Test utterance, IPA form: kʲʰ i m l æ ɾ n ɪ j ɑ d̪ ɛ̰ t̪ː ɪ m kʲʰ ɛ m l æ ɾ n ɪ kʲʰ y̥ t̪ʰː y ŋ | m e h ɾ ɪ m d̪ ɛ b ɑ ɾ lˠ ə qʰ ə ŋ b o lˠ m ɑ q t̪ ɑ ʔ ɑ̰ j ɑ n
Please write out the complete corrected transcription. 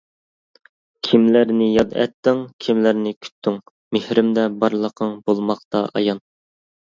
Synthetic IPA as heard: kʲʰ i m l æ ɾ n ɪ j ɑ d̪ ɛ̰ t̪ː ɪ ŋ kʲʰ i m l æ ɾ n ɪ kʲʰ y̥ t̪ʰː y ŋ | m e h ɾ ɪ m d̪ ɛ b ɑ ɾ lˠ ə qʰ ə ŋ b o lˠ m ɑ q t̪ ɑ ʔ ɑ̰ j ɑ n